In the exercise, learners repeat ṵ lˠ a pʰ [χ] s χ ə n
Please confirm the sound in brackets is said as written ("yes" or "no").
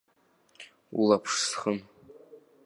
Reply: no